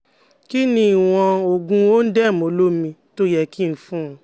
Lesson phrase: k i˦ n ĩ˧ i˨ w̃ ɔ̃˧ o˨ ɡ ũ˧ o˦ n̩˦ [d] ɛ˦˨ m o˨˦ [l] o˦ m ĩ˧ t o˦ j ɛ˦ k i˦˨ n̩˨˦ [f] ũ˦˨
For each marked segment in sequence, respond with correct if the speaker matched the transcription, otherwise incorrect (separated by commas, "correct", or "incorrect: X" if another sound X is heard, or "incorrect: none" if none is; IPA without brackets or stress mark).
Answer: correct, correct, correct